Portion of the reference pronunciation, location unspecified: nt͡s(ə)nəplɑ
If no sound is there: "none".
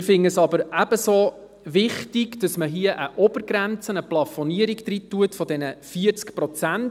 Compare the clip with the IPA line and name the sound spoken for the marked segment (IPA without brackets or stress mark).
ə